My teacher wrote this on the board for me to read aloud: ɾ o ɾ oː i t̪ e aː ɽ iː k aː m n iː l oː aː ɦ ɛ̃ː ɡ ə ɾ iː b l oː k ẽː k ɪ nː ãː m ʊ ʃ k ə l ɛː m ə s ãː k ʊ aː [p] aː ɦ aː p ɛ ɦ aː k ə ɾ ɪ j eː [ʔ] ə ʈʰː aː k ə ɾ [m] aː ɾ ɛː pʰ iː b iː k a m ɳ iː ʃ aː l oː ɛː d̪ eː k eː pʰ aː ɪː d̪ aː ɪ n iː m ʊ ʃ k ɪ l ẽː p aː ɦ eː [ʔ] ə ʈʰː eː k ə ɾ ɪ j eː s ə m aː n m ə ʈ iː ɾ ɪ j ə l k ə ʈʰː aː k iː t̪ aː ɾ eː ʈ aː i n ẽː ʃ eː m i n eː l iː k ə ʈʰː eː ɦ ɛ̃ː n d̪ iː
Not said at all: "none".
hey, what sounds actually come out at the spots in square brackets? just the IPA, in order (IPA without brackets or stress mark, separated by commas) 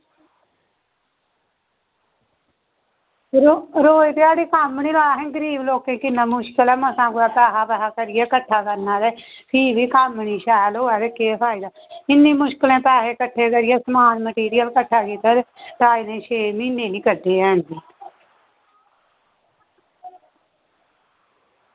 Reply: p, k, n, k